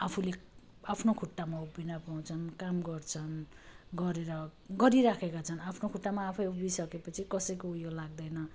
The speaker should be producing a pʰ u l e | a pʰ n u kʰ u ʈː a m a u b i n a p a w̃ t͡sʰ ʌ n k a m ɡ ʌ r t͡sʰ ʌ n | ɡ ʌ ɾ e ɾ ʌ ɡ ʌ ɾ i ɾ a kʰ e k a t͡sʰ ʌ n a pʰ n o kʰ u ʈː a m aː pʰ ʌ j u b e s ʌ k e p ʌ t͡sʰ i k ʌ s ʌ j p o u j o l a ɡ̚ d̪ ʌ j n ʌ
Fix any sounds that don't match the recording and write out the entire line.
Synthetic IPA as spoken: a pʰ u l e | a pʰ n o kʰ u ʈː a m a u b i n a p a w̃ t͡sʰ ʌ n k a m ɡ ʌ r t͡sʰ ʌ n | ɡ ʌ ɾ e ɾ ʌ ɡ ʌ ɾ i ɾ a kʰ e k a t͡sʰ ʌ n a pʰ n o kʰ u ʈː a m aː pʰ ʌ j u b i s ʌ k e p ʌ t͡sʰ i k ʌ s ʌ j k o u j o l a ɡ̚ d̪ ʌ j n ʌ